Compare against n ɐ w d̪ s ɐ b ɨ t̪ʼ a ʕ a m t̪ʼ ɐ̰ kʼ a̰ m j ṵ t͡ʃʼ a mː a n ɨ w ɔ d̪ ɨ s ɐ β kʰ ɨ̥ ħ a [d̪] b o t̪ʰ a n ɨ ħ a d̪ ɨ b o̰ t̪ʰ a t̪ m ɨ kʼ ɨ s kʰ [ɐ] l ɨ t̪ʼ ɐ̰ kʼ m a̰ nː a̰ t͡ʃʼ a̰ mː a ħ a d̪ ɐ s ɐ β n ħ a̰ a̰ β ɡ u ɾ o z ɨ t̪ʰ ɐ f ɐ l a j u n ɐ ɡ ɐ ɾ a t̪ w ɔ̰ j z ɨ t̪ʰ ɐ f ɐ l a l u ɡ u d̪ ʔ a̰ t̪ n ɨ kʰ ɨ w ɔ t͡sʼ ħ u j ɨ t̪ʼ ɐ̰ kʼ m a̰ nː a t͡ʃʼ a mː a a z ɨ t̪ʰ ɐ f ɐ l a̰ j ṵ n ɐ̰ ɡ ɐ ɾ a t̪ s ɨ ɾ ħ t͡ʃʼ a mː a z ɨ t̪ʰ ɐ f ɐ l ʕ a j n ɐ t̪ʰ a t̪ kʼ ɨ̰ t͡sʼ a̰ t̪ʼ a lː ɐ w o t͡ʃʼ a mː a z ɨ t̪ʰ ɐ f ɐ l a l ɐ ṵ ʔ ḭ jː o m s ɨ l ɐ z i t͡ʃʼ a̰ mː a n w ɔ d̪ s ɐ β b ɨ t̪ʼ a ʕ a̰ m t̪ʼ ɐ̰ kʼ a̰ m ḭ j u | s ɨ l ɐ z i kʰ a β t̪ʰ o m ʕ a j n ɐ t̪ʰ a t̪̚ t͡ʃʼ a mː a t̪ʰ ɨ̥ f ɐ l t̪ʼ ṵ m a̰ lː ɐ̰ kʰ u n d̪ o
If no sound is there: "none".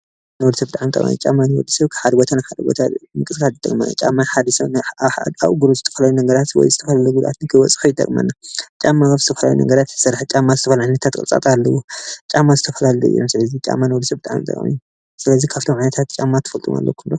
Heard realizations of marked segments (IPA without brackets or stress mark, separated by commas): d̪, a